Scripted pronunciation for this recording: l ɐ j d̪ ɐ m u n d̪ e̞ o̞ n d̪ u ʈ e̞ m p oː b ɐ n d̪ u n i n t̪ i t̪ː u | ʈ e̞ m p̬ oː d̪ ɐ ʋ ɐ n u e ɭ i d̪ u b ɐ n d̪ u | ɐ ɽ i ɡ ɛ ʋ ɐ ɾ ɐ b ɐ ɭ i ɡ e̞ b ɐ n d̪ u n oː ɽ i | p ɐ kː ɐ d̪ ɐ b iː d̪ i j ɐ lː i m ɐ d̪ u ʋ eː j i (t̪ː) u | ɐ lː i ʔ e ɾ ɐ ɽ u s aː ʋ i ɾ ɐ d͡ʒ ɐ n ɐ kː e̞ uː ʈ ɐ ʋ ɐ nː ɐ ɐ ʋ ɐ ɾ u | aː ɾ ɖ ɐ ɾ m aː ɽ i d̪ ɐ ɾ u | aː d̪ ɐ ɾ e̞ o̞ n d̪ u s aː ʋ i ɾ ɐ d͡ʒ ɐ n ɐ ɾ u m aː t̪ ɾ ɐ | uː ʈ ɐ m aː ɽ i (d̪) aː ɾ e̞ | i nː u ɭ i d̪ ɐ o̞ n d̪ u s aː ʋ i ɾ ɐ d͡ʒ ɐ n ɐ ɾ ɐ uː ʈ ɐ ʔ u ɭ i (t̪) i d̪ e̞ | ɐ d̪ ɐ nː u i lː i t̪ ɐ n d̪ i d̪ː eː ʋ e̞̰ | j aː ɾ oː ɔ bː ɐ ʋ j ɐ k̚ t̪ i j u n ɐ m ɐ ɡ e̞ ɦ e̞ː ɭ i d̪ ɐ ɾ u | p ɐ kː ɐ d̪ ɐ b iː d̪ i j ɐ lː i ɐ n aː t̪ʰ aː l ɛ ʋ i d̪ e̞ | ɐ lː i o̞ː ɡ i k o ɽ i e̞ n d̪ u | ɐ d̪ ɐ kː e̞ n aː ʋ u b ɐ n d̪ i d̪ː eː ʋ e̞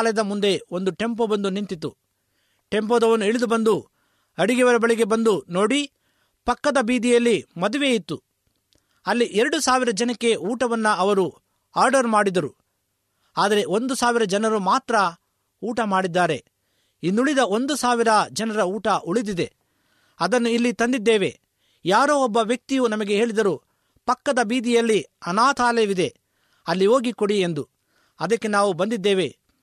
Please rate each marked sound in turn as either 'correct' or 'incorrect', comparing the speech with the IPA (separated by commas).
correct, incorrect, incorrect